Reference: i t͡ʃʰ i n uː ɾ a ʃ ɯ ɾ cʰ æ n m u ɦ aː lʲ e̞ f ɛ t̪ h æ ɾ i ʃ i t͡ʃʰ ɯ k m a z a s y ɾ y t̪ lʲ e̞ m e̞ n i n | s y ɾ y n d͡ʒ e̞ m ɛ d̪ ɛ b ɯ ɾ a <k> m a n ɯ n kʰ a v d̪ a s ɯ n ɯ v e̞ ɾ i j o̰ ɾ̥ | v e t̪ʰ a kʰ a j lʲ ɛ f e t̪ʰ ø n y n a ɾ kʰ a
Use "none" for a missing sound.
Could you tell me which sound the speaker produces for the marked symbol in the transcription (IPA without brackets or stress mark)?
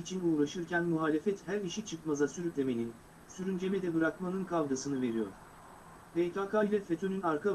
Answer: k